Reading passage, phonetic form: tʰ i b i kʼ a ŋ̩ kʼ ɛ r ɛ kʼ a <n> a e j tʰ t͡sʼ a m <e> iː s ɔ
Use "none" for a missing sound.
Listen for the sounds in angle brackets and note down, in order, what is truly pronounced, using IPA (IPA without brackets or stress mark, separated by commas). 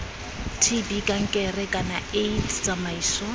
n, a